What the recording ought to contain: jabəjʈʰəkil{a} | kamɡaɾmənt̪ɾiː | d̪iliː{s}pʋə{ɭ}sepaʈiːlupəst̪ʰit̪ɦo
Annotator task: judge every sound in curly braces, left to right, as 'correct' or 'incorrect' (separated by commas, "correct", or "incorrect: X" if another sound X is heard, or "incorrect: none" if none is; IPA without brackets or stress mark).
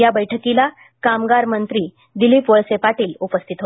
correct, incorrect: none, correct